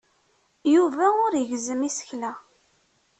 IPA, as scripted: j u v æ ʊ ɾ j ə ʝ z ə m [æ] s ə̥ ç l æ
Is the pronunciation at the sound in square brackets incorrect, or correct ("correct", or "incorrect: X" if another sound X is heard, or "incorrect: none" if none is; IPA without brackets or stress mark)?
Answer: incorrect: i